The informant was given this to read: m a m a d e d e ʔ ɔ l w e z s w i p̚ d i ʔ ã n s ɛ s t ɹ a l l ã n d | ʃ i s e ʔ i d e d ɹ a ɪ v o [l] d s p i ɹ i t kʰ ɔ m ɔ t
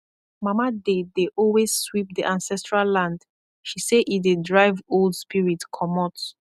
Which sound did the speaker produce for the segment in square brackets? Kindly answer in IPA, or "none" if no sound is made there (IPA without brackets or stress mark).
l